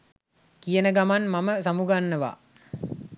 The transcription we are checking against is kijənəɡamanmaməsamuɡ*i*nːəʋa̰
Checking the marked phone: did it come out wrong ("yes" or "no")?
yes